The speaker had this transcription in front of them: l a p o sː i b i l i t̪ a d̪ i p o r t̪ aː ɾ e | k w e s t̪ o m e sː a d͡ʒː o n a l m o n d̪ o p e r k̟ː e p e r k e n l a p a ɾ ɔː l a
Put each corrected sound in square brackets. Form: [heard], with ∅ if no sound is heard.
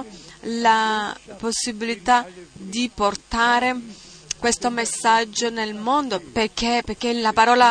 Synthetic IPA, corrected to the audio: l a p o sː i b i l i t̪ a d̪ i p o r t̪ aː ɾ e | k w e s t̪ o m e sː a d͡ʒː o n [e] l m o n d̪ o p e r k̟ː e p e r k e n l a p a ɾ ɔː l a